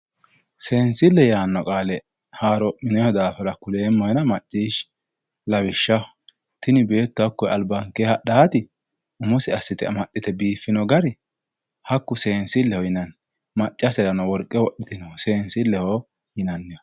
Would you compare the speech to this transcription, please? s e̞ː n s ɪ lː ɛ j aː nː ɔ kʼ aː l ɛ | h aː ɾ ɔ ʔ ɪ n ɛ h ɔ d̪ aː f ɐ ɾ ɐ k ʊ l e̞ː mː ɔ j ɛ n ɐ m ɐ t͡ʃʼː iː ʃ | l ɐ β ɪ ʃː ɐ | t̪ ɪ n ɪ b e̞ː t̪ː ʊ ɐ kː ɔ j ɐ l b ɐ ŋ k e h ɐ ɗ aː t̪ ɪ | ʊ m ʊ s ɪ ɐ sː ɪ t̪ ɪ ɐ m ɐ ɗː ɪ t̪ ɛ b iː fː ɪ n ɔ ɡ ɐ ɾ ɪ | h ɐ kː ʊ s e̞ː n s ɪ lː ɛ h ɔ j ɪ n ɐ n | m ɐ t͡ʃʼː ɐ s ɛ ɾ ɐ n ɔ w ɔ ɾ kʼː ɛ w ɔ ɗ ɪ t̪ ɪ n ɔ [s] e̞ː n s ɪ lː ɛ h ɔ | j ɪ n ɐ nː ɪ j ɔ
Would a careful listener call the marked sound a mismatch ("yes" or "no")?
no